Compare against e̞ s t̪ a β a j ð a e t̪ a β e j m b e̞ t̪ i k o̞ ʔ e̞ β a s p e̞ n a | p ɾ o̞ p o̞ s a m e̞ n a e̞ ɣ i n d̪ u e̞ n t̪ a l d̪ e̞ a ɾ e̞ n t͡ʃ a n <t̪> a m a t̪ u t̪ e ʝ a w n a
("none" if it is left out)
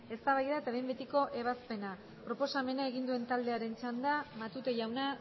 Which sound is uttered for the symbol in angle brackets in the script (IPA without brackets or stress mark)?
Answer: d̪